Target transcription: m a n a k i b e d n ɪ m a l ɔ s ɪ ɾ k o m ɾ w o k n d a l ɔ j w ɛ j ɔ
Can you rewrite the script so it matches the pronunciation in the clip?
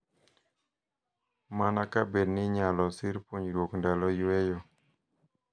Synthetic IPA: m a n a k a b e d n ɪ ɲ a l ɔ s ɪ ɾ p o ɲ ɾ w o k n d a l ɔ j w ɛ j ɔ